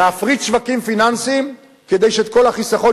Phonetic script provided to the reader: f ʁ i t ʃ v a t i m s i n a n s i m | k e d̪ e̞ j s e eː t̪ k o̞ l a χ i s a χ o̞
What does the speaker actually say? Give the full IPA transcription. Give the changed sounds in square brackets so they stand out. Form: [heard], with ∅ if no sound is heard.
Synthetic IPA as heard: f ʁ i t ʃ v a [k] i m [f] i n a n s i m | k e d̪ e̞ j [ʃ] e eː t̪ k o̞ l a χ i s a χ o̞